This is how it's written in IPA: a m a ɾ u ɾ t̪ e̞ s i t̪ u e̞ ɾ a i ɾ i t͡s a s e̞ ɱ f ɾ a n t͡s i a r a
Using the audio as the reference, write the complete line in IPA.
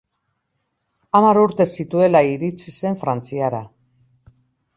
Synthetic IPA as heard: a m a ɾ u ɾ t̪ e̞ s i t̪ u e̞ l a i ɾ i t͡s i s e̞ ɱ f ɾ a n t͡s i a ɾ a

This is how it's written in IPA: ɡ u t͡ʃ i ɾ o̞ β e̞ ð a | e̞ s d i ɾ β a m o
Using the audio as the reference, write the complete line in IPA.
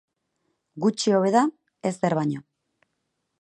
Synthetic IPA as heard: ɡ u t͡ʃ i o̞ β e̞ ð a | e̞ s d e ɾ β a ɲ o

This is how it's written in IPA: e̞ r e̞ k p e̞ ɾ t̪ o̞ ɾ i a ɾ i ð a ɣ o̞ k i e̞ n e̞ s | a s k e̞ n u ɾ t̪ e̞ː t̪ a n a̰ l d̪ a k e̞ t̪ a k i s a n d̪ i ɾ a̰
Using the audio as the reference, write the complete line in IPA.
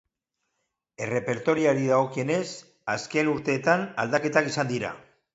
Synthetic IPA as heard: e̞ r e̞ p e̞ ɾ t̪ o̞ ɾ i a ɾ i ð a ɣ o̞ k i e̞ n e̞ s | a s k e̞ n u ɾ t̪ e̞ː t̪ a n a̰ l d̪ a k e̞ t̪ a k i s a n d̪ i ɾ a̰

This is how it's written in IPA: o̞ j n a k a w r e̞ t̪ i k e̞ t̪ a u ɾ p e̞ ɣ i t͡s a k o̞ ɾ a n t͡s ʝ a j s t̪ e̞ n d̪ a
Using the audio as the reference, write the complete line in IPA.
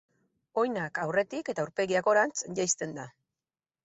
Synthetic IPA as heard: o̞ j n a k a w r e̞ t̪ i k e̞ t̪ a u ɾ p e̞ ɣ i a k o̞ ɾ a n t͡s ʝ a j s t̪ e̞ n d̪ a

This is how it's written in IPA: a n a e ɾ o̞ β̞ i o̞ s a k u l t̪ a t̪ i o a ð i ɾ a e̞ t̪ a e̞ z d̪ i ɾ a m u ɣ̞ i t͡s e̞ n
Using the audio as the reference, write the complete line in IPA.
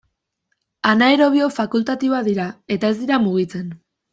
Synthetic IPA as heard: a n a e ɾ o̞ β̞ i o̞ f a k u l t̪ a t̪ i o a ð i ɾ a e̞ t̪ a e̞ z d̪ i ɾ a m u ɣ̞ i t͡s e̞ n

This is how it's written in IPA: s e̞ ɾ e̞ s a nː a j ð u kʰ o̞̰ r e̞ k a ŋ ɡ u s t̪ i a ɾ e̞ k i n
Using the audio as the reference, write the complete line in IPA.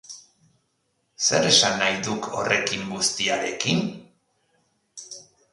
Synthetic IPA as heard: s e̞ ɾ e̞ s a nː a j ð u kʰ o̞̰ r e̞ k i ŋ ɡ u s t̪ i a ɾ e̞ k i n

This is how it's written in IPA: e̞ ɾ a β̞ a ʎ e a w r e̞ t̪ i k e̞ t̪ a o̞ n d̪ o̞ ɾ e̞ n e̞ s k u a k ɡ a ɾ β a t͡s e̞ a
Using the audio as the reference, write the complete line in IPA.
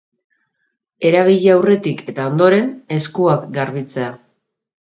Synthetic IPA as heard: e̞ ɾ a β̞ i ʎ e a w r e̞ t̪ i k e̞ t̪ a o̞ n d̪ o̞ ɾ e̞ n e̞ s k u a k ɡ a ɾ β i t͡s e̞ a

